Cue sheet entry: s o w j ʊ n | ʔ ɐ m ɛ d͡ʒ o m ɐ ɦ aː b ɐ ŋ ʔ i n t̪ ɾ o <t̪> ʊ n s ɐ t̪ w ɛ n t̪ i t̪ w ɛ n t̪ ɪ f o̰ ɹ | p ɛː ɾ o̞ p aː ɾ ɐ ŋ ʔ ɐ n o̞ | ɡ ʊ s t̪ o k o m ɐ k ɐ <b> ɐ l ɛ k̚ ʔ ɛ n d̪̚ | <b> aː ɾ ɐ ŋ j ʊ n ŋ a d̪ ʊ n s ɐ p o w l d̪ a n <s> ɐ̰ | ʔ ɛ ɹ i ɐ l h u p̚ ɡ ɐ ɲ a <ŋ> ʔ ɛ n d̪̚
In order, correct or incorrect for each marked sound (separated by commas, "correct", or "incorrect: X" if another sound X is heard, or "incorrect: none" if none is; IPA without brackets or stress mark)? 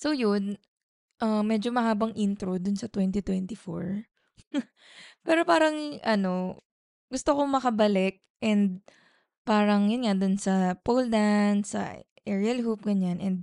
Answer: incorrect: d̪, correct, incorrect: p, correct, incorrect: n